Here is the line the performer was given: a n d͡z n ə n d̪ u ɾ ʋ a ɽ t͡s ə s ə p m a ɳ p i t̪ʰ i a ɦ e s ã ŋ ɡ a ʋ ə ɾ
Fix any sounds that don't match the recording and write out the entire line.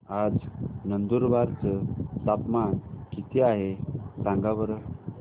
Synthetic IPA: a d͡z n ə n d̪ u ɾ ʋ a ɾ t͡s ə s a p m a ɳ k i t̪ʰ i a ɦ e s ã ŋ ɡ a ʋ ə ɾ